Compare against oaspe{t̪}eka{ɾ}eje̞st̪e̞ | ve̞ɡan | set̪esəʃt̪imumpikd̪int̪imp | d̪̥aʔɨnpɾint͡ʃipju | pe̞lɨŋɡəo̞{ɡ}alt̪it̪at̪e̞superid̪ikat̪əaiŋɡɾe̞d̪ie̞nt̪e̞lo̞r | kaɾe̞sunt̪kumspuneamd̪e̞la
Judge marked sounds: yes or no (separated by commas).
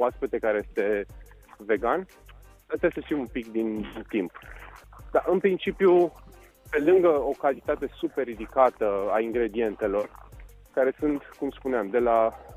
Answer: yes, yes, no